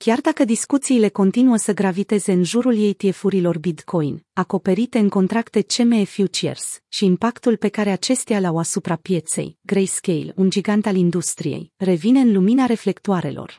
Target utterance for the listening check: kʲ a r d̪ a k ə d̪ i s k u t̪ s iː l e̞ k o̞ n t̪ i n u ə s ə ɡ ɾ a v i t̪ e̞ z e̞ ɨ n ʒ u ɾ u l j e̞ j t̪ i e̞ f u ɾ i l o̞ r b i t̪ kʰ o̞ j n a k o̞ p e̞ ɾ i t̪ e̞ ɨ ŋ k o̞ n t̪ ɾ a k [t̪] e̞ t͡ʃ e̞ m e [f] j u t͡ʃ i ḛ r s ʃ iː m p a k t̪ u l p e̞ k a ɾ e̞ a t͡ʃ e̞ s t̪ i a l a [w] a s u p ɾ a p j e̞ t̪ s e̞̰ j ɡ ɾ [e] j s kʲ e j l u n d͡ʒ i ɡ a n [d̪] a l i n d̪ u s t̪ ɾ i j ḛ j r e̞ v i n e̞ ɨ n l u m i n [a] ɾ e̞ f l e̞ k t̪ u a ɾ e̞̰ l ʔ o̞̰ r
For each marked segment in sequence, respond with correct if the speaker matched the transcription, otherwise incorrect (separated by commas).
correct, correct, correct, correct, incorrect, correct